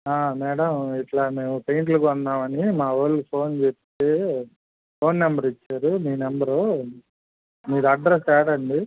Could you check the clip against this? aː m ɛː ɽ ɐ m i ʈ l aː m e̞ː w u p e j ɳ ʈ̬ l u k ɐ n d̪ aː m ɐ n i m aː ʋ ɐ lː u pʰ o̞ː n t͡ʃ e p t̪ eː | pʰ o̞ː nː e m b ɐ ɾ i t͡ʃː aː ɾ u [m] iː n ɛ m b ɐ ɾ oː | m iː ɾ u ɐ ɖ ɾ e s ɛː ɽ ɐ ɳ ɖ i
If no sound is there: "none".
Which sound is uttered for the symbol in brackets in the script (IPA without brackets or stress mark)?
m